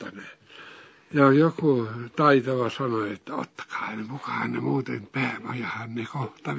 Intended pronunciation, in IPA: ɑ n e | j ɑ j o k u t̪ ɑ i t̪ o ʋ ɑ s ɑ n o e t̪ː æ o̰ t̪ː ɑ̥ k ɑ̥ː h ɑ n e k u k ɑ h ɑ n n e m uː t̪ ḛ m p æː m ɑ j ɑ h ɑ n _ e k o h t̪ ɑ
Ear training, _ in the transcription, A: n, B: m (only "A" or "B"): A